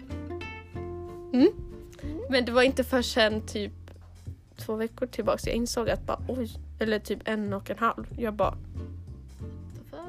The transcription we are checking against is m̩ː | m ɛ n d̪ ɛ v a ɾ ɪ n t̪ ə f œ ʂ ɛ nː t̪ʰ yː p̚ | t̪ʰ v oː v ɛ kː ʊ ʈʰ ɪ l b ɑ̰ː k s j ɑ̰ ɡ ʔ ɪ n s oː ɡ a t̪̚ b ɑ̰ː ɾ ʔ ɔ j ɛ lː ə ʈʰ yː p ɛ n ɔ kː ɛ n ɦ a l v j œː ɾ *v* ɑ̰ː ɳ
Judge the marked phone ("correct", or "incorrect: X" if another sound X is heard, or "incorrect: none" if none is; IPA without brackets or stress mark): incorrect: b